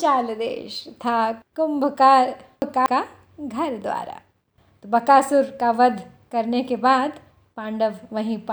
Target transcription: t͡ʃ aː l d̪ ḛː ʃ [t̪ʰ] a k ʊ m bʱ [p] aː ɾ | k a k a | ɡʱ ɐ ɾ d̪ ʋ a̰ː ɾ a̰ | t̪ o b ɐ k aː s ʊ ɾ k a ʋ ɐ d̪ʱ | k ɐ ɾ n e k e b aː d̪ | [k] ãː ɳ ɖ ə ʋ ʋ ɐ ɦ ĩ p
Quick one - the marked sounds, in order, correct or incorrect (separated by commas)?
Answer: correct, incorrect, incorrect